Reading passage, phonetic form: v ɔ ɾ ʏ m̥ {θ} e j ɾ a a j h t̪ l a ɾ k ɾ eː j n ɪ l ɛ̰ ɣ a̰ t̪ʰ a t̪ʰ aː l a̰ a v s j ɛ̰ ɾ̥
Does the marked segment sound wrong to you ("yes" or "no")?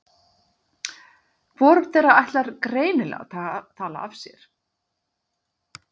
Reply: no